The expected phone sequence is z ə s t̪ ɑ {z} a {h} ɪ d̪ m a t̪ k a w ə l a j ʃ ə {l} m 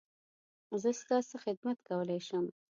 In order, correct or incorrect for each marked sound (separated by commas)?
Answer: incorrect, incorrect, incorrect